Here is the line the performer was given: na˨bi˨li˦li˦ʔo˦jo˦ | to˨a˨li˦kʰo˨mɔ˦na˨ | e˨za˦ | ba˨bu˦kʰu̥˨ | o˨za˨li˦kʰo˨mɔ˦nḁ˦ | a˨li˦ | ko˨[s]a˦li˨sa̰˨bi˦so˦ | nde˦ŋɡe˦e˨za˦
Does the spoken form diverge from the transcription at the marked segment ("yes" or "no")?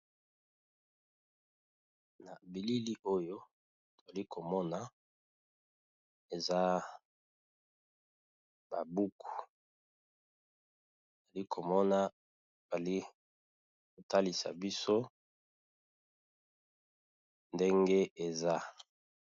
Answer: yes